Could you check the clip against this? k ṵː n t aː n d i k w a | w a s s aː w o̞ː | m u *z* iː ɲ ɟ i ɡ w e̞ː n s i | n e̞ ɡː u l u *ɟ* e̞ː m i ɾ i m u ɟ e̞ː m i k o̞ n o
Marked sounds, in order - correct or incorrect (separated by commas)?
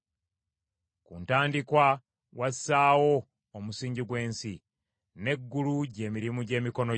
incorrect, correct